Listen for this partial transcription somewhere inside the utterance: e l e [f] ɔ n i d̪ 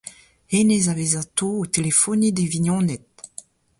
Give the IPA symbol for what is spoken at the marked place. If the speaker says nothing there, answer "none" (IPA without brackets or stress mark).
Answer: f